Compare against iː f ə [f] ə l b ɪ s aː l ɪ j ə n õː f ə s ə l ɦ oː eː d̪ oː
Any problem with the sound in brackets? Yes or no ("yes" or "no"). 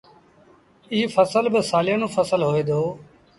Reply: yes